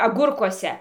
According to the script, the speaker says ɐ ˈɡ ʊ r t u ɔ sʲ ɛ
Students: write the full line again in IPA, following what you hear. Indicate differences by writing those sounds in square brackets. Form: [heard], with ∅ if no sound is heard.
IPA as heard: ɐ ˈɡ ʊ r [k] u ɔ sʲ ɛ